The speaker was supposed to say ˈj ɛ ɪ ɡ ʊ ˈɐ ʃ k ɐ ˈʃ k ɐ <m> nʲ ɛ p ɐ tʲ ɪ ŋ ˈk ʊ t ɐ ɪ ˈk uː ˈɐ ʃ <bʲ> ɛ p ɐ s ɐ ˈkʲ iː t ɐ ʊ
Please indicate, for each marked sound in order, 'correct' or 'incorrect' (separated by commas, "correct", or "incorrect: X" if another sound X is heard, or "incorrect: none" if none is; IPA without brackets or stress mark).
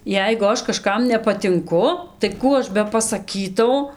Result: correct, correct